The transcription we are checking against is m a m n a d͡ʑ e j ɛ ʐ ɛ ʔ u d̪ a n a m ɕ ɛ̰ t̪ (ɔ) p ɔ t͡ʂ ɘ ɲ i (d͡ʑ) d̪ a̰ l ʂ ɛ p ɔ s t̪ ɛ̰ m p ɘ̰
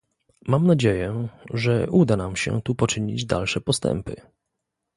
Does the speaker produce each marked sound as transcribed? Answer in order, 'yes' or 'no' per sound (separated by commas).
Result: no, yes